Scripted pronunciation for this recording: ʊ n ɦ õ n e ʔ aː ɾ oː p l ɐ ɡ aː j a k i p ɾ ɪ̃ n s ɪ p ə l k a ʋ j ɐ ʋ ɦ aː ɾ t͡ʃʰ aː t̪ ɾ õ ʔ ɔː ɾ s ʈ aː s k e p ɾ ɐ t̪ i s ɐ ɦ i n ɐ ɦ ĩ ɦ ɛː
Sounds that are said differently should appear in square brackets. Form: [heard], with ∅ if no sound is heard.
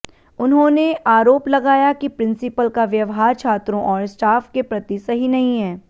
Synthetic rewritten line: ʊ n ɦ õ n e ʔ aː ɾ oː p l ɐ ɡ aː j a k i p ɾ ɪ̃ n s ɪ p ə l k a ʋ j ɐ ʋ ɦ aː ɾ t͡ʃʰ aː t̪ ɾ õ ʔ ɔː ɾ s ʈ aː [f] k e p ɾ ɐ t̪ i s ɐ ɦ i n ɐ ɦ ĩ ɦ ɛː